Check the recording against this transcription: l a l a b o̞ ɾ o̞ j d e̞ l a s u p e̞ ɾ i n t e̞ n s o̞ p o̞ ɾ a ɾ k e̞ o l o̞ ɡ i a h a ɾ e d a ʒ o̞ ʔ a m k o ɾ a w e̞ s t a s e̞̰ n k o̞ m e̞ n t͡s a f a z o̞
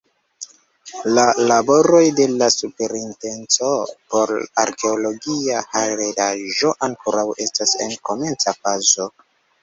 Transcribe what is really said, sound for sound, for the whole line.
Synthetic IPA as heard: l a l a b o̞ ɾ o̞ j d e̞ l a s u p e̞ ɾ i n t e̞ n t͡s o̞ p o̞ ɾ a ɾ k e̞ o l o̞ ɡ i a h a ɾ e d a ʒ o̞ ʔ a ŋ k o ɾ a w e̞ s t a s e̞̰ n k o̞ m e̞ n t͡s a f a z o̞